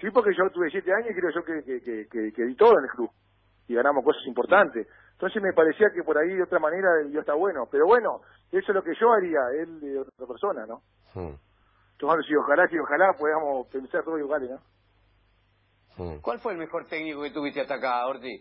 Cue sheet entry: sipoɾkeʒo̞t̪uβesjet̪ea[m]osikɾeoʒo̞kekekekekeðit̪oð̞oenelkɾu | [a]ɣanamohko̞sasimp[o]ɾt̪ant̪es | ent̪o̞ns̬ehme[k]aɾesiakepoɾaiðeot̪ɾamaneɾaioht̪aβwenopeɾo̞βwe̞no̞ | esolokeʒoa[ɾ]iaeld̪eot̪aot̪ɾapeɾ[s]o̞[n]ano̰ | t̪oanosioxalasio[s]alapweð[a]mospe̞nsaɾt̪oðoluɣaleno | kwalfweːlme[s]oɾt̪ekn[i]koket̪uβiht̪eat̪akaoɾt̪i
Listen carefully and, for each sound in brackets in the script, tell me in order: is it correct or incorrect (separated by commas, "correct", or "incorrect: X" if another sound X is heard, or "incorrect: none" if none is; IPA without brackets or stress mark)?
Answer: incorrect: ɲ, incorrect: i, correct, incorrect: p, correct, correct, correct, incorrect: x, correct, incorrect: x, correct